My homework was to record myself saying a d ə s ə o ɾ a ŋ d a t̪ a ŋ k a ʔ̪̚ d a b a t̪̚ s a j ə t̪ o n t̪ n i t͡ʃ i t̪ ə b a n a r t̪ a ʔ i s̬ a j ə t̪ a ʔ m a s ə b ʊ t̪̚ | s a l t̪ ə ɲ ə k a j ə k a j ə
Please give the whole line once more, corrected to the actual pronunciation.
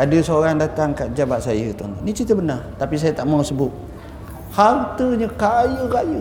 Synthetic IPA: a d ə s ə o ɾ a ŋ d a t̪ a ŋ k a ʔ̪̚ d͡ʒ a b a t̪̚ s a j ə t̪ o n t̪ n i t͡ʃ i t̪ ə b ə n a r t̪ a p i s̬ a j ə t̪ a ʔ m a s ə b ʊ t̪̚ | h a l t̪ ə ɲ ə k a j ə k a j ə